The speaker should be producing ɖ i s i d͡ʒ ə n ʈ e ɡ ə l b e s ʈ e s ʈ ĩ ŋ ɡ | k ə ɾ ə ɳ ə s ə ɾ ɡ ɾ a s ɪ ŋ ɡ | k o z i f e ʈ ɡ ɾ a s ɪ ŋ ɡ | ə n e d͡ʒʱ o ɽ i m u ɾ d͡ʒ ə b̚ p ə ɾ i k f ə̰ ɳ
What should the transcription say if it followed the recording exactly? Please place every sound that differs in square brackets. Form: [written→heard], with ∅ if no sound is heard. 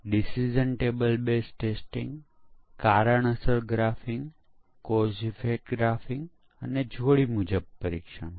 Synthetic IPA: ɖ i s i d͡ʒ ə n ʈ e [ɡ→b] ə l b e s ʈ e s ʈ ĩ ŋ ɡ | k [ə→a] ɾ ə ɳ ə s ə ɾ ɡ ɾ a [s→f] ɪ ŋ ɡ | k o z i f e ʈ ɡ ɾ a [s→f] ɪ ŋ ɡ | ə n e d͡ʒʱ o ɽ i m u [ɾ→∅] d͡ʒ ə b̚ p ə ɾ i k [f→ʃ] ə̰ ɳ